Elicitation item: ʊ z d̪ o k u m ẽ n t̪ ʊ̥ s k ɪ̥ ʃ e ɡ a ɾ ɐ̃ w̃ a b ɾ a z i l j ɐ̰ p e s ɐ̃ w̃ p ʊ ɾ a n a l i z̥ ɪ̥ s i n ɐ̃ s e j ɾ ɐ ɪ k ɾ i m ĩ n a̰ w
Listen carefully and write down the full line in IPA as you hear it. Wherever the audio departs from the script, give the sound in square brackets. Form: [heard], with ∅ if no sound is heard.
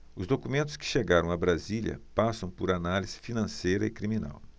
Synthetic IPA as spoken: ʊ z d̪ o k u m ẽ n t̪ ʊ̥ s k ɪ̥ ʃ e ɡ a ɾ ɐ̃ w̃ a b ɾ a z i l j ɐ̰ p [a] s ɐ̃ w̃ p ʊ ɾ a n a l i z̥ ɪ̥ [f] i n ɐ̃ s e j ɾ ɐ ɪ k ɾ i m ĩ n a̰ w